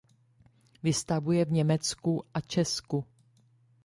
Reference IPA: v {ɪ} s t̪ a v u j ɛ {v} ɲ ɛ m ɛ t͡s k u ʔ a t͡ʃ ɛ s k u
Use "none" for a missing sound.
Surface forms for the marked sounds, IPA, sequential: ɪ, v

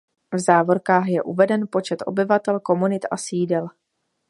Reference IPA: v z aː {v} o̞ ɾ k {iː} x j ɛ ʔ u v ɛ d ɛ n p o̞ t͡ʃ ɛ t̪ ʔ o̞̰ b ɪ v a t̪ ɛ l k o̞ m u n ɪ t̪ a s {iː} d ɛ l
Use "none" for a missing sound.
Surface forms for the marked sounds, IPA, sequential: v, aː, iː

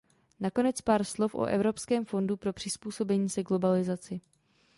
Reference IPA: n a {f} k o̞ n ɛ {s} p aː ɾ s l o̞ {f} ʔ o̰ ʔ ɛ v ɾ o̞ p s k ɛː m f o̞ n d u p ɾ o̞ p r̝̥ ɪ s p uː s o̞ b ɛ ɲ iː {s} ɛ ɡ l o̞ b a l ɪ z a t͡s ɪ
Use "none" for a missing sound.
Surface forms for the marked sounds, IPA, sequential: none, t͡s, f, s

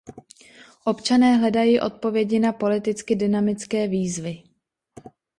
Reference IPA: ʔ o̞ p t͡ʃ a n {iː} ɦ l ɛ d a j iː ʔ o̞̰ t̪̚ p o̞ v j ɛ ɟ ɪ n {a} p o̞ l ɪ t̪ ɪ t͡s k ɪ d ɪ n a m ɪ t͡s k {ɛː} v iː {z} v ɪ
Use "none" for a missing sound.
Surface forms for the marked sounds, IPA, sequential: ɛː, a, ɛː, z

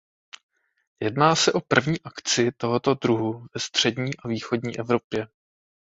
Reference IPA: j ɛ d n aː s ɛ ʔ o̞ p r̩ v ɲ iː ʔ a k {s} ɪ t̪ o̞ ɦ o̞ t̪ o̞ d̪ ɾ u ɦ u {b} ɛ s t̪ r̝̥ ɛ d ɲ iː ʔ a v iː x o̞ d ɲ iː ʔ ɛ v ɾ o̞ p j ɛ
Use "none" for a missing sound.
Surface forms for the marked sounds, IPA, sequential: t͡s, v

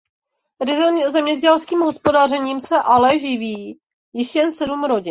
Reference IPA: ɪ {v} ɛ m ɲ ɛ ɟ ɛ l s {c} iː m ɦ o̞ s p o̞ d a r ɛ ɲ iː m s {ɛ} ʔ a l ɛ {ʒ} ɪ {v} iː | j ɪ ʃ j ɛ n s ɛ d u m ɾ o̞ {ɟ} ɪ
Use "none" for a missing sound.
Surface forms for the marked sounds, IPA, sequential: z, k, ɛ, ʒ, v, ɟ

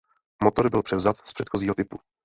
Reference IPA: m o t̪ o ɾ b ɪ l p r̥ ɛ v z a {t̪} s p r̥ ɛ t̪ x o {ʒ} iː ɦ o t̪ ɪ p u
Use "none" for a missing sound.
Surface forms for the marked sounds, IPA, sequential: t̪, z

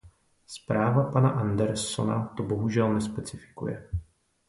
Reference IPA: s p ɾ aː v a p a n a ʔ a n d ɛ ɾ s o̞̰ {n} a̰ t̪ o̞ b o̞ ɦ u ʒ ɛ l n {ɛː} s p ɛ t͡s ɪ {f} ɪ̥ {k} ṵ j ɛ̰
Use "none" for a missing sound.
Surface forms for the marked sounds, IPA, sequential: n, ɛ, f, k

